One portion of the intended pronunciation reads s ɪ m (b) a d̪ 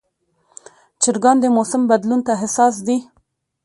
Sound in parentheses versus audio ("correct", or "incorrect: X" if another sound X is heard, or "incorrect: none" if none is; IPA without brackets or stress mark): correct